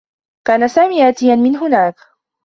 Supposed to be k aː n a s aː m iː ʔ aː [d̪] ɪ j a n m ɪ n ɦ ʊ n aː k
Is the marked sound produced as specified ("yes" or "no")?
no